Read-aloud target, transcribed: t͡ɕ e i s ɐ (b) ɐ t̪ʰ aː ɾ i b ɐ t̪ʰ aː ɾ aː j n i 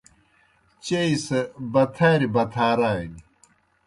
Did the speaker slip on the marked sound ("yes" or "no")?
no